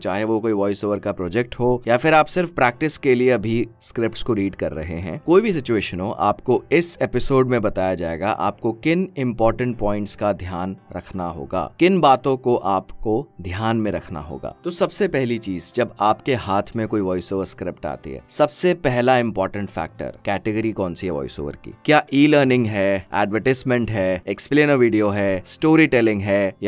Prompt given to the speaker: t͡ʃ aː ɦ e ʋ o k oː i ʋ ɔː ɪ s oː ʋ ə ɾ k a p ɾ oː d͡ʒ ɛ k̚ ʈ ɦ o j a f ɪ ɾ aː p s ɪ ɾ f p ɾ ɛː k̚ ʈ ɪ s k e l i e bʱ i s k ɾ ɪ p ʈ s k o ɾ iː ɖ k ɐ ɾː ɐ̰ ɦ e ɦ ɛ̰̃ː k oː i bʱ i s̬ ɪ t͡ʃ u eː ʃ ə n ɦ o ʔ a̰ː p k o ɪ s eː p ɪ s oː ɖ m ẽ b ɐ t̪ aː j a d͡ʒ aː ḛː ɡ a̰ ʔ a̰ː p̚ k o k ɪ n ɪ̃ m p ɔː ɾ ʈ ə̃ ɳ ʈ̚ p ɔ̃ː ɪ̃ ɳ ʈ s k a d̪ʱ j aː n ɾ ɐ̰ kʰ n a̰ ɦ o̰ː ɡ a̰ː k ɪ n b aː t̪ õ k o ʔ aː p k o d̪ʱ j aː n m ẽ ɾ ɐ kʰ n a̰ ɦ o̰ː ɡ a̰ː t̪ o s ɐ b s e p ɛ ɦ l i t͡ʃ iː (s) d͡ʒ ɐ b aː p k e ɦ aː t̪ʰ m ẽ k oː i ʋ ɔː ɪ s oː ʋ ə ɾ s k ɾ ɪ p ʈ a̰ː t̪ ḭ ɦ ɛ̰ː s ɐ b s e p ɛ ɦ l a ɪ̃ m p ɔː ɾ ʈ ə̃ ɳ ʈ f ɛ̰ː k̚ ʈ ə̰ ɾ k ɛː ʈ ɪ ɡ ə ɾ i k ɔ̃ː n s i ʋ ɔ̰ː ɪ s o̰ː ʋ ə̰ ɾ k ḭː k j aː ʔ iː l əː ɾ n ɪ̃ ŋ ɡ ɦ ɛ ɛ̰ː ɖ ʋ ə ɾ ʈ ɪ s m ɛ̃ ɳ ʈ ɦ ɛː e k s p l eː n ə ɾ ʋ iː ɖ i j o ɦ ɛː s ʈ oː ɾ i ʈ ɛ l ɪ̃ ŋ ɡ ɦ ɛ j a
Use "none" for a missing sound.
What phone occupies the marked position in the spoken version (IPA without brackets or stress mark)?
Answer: z